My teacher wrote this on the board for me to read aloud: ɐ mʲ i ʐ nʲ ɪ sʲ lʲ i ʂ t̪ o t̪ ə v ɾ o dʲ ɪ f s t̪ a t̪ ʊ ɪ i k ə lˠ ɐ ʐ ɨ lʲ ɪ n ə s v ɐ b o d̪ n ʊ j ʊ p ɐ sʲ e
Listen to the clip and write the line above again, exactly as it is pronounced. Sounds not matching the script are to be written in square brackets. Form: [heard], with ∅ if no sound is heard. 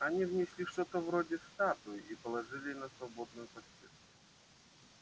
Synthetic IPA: ɐ [nʲ] i [v] nʲ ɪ sʲ lʲ i ʂ t̪ o t̪ ə v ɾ o dʲ ɪ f s t̪ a t̪ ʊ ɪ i [p] ə lˠ ɐ ʐ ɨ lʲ ɪ n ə s v ɐ b o d̪ n ʊ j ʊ p ɐ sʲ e